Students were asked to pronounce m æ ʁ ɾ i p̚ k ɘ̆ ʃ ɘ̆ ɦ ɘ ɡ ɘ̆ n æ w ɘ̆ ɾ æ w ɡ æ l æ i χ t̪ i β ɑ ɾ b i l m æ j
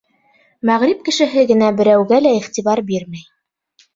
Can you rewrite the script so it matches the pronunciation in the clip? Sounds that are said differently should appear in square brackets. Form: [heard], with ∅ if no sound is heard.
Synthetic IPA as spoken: m æ ʁ ɾ i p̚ k ɘ̆ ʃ ɘ̆ ɦ ɘ ɡ ɘ̆ n æ [b] ɘ̆ ɾ æ w ɡ æ l æ i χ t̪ i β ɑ ɾ b i [ɾ] m æ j

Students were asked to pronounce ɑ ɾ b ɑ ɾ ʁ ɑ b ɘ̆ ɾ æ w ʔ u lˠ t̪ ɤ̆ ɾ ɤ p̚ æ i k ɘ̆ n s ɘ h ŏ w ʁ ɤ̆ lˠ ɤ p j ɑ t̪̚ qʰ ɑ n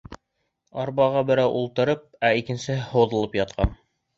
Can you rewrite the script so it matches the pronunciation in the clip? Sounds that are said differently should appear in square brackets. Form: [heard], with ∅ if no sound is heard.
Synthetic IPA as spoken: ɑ ɾ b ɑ [∅] ʁ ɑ b ɘ̆ ɾ æ w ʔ u lˠ t̪ ɤ̆ ɾ ɤ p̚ æ i k ɘ̆ n s ɘ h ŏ w [ð] ɤ̆ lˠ ɤ p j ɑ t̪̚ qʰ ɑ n

